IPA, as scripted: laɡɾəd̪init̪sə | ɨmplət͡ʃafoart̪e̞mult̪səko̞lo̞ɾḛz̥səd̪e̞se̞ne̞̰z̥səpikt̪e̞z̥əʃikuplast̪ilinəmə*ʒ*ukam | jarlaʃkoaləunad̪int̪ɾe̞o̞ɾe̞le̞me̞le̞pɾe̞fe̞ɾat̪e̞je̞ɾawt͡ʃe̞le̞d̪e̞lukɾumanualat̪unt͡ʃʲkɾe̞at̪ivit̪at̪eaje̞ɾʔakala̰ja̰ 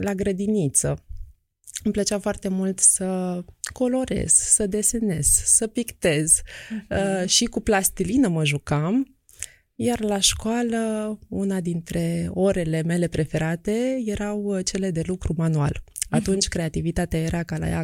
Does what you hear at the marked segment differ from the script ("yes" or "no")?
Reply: no